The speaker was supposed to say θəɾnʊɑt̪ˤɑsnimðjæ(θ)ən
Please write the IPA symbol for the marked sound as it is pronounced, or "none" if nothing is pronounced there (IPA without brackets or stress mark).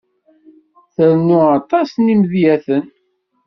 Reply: θ